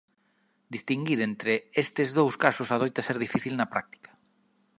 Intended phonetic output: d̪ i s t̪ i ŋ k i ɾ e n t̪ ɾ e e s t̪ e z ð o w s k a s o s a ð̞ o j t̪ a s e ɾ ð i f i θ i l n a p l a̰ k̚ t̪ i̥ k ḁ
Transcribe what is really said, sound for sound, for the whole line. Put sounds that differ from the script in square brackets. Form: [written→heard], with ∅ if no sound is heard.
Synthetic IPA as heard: d̪ i s t̪ i ŋ [k→ɡ] i ɾ e n t̪ ɾ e e s t̪ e z ð o w s k a s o s a ð̞ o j t̪ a s e ɾ ð i f i θ i l n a p [l→ɾ] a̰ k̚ t̪ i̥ k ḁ